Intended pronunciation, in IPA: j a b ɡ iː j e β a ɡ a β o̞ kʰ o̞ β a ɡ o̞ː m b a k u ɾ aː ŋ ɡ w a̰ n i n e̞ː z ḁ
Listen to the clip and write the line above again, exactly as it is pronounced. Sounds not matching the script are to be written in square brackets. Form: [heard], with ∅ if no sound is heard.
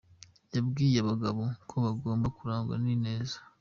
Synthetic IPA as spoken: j a b ɡ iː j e β a ɡ a β o̞ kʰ o̞ β a ɡ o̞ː m b a k u ɾ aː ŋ ɡ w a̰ n i n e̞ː z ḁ